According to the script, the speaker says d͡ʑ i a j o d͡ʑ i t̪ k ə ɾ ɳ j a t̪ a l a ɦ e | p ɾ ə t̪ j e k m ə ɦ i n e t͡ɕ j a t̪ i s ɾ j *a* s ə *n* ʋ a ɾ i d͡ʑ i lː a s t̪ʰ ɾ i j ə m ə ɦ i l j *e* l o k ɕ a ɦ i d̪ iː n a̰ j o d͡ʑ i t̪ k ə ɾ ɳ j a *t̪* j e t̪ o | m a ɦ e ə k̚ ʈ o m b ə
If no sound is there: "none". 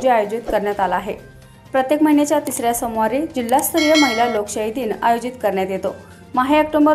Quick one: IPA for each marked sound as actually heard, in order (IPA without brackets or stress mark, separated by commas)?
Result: a, m, a, t̪